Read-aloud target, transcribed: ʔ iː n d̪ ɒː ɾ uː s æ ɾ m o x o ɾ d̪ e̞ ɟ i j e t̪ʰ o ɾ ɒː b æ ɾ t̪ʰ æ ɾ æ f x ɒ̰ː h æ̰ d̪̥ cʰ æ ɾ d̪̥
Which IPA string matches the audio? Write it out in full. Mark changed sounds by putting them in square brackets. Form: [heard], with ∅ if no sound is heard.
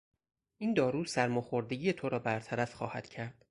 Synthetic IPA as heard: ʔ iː n d̪ ɒː ɾ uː s æ ɾ m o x o ɾ d̪ e̞ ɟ i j e t̪ʰ o ɾ ɒː b æ ɾ t̪ʰ æ ɾ æ f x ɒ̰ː h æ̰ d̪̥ cʰ æ ɾ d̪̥